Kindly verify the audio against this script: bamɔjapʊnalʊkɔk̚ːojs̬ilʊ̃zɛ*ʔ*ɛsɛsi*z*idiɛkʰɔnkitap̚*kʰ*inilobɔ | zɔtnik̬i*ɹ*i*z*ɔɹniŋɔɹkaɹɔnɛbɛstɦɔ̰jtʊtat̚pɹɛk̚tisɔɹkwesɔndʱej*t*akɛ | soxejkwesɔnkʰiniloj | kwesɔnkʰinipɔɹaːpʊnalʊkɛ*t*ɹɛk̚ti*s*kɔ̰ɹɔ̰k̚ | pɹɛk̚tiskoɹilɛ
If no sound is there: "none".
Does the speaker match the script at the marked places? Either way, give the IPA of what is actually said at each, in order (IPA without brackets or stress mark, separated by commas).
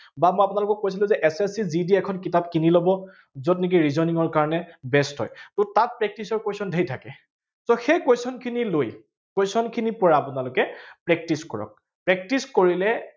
ʔ, z, k, ɹ, z, tʰ, p, s